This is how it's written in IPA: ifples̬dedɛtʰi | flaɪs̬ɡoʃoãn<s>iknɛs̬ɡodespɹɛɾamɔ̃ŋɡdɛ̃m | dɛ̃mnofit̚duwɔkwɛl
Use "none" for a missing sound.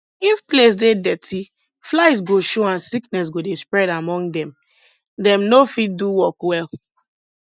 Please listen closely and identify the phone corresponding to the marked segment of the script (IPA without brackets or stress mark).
s